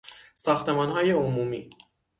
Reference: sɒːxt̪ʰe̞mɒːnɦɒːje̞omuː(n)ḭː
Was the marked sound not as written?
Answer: yes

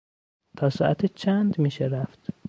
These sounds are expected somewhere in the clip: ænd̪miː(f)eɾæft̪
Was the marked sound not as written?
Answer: yes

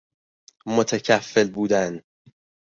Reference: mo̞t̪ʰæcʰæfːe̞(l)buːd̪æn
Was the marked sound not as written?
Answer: no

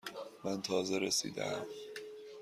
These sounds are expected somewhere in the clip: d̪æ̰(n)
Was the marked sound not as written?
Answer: yes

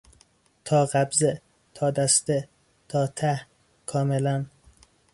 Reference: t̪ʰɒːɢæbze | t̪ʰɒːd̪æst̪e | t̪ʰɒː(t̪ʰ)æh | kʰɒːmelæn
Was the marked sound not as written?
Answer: no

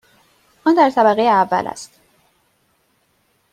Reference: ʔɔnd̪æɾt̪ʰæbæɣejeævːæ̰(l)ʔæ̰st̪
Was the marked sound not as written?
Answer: no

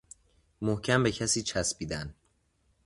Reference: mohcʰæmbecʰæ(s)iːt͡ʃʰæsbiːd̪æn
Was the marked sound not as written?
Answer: no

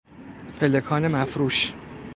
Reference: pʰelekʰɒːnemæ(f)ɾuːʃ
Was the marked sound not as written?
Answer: no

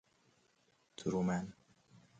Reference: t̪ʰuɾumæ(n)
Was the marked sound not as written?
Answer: no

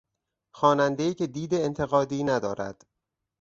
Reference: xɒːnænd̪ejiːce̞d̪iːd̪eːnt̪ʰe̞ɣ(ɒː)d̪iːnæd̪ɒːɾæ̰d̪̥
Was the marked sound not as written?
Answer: no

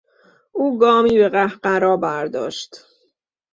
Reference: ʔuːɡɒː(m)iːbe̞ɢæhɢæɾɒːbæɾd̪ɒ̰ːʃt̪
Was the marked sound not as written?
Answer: no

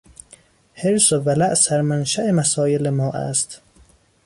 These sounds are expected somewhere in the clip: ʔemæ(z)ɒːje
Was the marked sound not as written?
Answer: yes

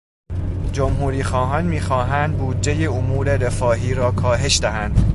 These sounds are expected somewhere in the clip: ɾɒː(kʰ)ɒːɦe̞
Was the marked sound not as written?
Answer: no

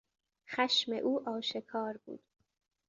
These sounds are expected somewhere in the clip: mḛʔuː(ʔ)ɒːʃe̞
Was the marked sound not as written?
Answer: no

